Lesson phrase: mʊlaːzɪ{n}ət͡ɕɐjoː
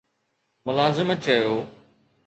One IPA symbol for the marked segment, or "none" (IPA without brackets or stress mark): m